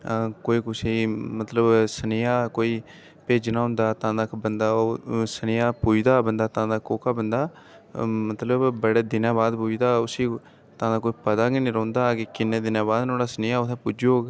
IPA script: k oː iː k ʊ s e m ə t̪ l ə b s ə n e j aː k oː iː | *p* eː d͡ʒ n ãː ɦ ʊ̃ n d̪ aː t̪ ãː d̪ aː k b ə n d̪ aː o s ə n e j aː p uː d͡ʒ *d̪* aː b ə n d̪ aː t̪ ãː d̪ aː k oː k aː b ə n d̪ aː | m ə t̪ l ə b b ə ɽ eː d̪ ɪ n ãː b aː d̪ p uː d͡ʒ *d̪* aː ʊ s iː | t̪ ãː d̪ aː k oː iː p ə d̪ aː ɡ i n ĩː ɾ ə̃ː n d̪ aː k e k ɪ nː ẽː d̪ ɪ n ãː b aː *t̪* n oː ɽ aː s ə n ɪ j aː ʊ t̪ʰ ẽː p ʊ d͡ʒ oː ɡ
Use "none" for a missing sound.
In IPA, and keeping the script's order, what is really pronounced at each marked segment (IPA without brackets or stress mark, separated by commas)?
p, d̪, d̪, d̪